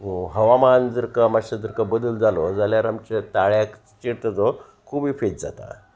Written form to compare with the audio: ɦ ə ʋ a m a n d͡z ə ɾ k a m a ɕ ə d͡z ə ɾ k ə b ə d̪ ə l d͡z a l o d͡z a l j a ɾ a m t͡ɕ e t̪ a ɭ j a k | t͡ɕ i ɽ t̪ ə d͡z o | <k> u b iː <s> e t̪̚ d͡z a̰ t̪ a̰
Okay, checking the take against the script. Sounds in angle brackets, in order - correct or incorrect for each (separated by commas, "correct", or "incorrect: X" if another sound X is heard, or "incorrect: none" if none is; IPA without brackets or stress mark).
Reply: incorrect: kʰ, incorrect: f